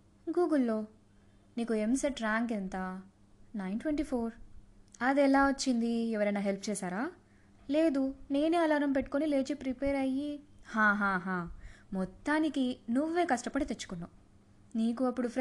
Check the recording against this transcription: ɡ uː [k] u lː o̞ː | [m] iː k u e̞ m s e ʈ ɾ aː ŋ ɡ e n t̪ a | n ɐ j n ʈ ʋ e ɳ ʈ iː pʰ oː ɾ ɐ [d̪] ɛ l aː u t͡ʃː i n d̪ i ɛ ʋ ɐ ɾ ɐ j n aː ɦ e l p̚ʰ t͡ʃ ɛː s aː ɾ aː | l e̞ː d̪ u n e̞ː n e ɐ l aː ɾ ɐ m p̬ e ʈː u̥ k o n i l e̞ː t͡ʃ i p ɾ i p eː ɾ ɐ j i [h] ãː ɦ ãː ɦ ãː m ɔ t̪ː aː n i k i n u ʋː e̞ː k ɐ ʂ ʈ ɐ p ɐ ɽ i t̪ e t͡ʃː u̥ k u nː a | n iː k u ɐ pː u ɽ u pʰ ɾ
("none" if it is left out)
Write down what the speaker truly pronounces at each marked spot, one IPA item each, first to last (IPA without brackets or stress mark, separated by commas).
ɡ, n, d̪, h